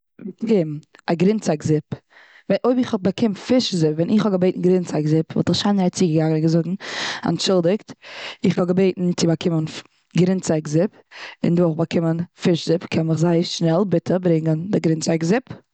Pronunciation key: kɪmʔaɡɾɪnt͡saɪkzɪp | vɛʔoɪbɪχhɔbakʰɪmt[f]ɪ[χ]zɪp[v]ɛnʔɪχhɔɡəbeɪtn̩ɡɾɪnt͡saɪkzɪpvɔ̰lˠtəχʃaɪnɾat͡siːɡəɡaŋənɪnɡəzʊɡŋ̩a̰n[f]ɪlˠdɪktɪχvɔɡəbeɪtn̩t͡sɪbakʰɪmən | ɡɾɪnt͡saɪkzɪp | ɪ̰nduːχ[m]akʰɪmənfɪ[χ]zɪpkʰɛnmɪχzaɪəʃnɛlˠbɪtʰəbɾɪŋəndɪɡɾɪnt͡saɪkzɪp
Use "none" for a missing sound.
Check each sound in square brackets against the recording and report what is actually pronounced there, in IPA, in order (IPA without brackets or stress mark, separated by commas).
f, ʃ, v, ʃ, b, ʃ